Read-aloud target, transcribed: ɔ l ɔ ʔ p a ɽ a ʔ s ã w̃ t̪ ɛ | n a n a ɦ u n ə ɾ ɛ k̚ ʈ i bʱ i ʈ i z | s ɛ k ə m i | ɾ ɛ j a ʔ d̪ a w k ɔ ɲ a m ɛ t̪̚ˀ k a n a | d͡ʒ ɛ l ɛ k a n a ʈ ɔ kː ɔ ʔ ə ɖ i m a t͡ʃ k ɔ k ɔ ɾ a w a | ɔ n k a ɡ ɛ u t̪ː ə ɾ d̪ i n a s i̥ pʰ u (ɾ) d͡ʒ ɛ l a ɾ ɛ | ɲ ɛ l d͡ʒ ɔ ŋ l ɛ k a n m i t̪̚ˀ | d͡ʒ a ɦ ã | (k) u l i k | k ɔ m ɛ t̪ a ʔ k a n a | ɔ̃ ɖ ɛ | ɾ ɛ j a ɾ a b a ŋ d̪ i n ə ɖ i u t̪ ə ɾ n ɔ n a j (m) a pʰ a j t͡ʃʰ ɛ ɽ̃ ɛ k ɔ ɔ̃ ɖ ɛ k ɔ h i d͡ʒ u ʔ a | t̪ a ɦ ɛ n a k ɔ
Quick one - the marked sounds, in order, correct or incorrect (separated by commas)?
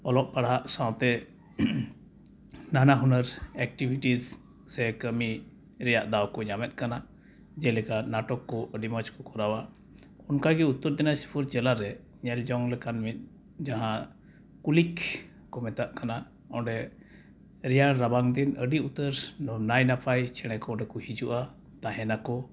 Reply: correct, correct, incorrect